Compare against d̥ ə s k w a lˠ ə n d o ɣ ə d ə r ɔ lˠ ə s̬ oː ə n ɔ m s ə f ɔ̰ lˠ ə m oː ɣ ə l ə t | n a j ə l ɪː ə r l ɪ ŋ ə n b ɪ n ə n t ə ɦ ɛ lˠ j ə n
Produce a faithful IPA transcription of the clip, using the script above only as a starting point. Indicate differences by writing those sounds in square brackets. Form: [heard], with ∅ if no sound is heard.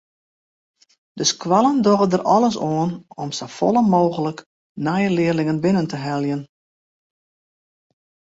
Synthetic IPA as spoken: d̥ ə s k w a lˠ ə n d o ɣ ə d ə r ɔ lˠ ə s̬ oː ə n ɔ m s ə f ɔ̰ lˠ ə m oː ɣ ə l ə [k] | n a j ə l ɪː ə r l ɪ ŋ ə n b ɪ n ə n t ə ɦ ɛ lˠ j ə n